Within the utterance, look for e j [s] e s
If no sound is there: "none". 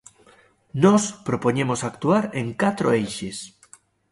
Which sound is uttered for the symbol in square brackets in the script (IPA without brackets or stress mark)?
ʃ